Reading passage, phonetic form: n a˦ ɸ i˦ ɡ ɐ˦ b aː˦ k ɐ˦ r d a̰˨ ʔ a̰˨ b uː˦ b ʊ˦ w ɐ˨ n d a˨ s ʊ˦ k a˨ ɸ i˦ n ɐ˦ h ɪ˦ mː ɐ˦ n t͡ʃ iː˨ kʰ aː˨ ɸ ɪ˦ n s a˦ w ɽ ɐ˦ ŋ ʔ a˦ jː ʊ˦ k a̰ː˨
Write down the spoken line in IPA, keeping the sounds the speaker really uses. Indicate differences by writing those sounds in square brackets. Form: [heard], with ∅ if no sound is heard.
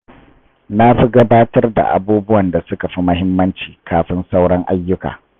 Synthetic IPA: n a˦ ɸ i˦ ɡ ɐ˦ b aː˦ [t] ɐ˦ r d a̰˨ ʔ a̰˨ b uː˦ b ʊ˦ w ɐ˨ n d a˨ s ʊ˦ k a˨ ɸ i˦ [m] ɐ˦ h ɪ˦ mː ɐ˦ n t͡ʃ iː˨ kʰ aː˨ ɸ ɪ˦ n s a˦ w ɽ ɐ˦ ŋ ʔ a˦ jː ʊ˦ k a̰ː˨